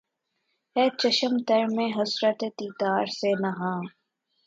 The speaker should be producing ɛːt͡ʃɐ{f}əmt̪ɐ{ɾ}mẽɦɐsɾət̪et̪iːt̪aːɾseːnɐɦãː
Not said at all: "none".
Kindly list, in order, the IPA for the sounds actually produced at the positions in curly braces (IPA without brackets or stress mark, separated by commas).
ʃ, ɾ